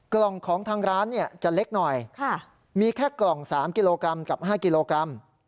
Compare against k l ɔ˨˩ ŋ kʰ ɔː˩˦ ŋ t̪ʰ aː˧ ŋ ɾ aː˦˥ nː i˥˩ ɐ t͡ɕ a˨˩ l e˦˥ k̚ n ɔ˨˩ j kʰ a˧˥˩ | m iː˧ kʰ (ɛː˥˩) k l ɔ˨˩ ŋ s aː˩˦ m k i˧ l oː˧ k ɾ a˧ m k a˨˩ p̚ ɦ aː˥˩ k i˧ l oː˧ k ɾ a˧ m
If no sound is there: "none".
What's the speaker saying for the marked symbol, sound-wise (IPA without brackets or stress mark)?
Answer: ɛː˥˩